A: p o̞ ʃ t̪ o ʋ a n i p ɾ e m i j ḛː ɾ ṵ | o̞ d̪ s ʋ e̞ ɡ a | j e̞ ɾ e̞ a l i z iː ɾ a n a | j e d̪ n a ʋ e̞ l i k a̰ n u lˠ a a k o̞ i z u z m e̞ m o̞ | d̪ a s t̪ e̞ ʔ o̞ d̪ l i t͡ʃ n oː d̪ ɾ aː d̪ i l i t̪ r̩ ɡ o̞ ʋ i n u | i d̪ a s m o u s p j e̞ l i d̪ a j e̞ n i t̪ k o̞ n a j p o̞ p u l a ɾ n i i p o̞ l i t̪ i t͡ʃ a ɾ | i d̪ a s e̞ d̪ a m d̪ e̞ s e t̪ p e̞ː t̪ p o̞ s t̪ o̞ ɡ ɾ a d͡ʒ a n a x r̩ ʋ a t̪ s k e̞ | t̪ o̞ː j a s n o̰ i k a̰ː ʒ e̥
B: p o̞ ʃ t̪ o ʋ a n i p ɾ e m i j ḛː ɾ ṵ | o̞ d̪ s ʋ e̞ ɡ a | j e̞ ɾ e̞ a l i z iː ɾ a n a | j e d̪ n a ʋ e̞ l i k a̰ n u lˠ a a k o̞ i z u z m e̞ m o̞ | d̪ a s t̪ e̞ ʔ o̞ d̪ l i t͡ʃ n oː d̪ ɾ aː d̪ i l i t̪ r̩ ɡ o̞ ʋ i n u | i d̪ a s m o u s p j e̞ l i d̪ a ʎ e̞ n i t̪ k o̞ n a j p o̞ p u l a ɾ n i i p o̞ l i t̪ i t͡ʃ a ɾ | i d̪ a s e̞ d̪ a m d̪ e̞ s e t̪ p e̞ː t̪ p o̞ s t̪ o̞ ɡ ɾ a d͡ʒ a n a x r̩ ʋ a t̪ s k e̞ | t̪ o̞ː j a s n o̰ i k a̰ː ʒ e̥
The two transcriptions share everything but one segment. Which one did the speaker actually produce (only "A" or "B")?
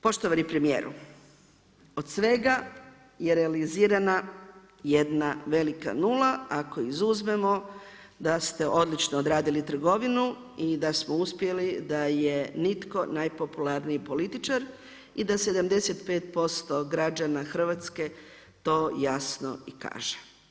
A